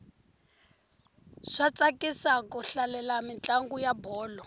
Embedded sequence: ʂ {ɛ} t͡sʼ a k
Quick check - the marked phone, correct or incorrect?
incorrect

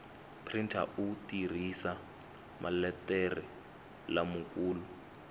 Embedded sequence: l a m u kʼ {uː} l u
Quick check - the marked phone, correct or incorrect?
correct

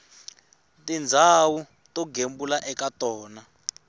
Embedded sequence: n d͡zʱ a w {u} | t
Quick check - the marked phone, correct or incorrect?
correct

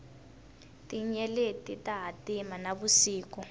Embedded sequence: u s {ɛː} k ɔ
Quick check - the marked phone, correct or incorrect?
incorrect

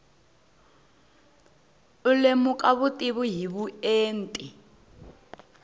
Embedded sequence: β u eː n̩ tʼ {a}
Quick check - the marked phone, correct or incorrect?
incorrect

